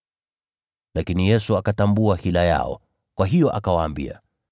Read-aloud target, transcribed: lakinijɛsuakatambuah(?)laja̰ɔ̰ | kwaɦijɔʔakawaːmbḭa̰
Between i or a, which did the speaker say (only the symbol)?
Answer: i